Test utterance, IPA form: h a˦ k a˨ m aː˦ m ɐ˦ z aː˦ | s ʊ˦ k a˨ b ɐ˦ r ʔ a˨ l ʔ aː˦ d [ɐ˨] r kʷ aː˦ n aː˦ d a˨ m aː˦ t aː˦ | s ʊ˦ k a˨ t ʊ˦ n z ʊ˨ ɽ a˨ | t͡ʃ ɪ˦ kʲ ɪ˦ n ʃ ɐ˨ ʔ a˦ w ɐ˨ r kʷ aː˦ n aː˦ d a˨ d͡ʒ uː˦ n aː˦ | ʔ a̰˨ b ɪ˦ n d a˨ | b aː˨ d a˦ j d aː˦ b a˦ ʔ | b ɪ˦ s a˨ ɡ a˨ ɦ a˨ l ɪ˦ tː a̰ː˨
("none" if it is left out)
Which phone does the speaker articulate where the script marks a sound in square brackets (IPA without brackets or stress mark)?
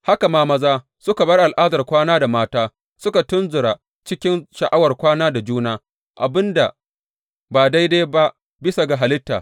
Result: ɐ˨